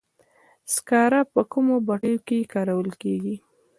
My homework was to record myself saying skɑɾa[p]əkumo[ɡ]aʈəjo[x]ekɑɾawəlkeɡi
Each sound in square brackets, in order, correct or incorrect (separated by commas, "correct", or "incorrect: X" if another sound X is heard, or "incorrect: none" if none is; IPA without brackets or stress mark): correct, incorrect: b, incorrect: k